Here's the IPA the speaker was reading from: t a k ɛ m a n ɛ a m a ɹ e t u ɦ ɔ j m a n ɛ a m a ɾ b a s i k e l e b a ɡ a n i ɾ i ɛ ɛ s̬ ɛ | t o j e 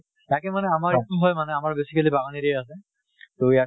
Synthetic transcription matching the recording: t a k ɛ m a n ɛ a m a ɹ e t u ɦ ɔ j m a n ɛ a m a ɹ b e s i k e l i b a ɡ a n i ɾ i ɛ a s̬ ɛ | t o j a